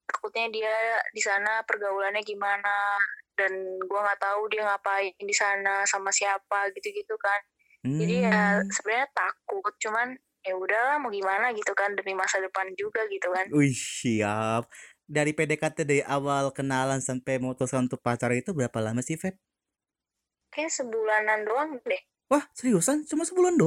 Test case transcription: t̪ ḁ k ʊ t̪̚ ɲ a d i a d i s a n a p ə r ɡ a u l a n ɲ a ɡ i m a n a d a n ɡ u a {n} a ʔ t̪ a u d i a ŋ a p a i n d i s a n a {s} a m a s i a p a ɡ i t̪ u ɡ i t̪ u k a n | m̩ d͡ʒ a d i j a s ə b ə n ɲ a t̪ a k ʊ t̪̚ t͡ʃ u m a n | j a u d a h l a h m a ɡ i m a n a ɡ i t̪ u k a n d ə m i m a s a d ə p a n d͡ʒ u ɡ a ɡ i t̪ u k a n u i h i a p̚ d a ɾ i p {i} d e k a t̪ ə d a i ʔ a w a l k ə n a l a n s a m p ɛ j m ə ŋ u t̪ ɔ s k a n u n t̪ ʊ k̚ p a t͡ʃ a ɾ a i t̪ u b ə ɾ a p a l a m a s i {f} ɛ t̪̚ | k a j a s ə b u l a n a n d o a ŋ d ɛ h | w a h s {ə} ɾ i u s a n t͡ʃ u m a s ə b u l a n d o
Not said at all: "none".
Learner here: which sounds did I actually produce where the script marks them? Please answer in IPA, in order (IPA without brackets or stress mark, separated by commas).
ŋ, s, e, f, ə